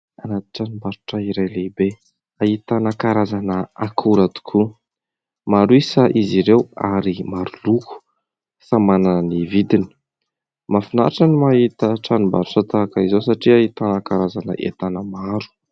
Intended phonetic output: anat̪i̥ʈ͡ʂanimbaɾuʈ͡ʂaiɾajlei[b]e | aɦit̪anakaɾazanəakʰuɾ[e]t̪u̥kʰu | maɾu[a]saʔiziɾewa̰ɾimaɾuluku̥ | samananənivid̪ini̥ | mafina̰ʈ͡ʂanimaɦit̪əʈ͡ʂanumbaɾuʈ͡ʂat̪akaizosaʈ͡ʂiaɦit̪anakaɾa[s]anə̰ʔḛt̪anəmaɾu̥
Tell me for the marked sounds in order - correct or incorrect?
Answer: correct, incorrect, incorrect, incorrect

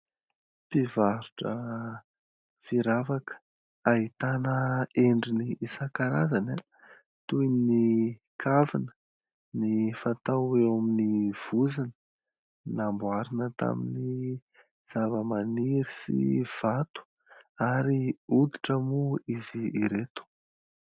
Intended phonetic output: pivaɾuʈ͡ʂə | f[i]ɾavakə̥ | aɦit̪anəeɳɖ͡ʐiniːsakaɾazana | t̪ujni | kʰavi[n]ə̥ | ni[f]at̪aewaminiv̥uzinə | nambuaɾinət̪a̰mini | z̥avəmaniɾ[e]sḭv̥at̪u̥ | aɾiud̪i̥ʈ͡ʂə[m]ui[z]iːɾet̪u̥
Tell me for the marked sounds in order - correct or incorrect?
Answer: correct, correct, correct, incorrect, correct, correct

